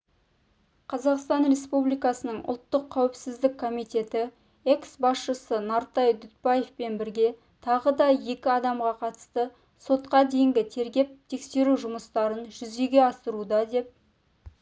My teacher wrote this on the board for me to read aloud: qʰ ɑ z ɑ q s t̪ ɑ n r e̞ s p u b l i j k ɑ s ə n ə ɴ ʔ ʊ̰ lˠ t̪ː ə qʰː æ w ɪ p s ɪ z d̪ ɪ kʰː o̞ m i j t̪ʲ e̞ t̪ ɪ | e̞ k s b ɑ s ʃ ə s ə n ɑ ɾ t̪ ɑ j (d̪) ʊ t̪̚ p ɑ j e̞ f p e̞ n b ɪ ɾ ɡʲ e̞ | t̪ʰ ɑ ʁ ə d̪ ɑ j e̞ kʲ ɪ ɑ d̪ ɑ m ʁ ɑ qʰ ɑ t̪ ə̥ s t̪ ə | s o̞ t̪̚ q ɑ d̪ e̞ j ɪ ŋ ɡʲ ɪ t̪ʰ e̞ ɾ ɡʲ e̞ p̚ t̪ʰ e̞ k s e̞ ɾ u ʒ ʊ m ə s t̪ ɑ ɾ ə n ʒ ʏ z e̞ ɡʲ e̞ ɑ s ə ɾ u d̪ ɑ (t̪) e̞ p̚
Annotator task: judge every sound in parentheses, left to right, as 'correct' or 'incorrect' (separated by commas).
correct, incorrect